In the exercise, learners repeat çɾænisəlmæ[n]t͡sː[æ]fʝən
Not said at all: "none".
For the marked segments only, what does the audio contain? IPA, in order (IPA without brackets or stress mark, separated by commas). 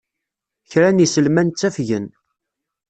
n, æ